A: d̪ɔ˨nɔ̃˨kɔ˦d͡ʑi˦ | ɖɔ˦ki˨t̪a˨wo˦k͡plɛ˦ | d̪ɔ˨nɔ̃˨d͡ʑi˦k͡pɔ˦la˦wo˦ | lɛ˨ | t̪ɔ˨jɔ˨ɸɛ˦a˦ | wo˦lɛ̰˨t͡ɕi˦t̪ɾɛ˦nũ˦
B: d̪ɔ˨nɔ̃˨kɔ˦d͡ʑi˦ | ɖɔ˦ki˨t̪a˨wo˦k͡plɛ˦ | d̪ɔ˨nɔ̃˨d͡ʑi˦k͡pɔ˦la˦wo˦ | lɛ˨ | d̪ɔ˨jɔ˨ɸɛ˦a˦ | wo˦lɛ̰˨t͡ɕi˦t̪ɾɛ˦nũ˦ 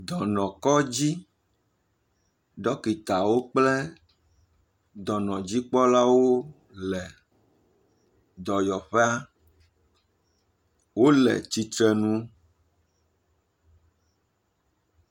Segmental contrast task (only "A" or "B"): B